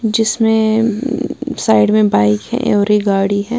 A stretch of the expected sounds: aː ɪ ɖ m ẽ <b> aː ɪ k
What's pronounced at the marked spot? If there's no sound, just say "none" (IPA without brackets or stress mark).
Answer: b